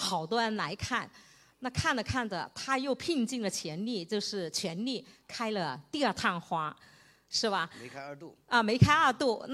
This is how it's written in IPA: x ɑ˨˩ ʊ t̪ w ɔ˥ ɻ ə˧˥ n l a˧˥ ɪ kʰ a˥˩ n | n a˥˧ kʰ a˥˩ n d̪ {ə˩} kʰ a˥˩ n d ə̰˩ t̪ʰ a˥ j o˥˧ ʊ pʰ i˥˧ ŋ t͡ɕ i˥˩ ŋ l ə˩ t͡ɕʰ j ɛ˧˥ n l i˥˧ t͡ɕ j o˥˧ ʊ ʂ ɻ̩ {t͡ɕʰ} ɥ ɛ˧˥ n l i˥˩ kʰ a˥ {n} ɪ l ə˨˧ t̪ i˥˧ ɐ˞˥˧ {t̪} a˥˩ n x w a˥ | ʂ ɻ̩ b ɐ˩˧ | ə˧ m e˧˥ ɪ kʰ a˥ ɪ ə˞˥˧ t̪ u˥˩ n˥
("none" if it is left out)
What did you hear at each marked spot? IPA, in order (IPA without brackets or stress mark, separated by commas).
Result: ə˩, t͡ɕʰ, none, t̪ʰ